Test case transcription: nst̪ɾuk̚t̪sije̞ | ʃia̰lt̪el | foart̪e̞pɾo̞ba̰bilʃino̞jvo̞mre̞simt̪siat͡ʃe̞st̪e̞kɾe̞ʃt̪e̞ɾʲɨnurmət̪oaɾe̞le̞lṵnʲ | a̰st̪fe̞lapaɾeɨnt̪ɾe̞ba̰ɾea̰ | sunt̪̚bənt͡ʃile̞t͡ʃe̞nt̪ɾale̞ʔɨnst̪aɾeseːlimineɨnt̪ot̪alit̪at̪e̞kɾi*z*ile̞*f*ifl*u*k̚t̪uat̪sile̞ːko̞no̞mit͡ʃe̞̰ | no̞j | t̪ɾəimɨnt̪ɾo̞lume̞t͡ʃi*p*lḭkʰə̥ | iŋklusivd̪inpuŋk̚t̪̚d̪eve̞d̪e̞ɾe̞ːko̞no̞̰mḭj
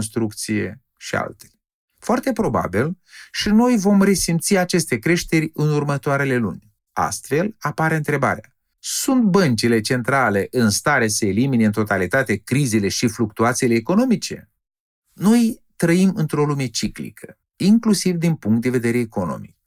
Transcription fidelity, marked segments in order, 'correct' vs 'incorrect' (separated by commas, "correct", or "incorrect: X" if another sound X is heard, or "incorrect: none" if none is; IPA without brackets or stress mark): correct, incorrect: ʃ, correct, incorrect: k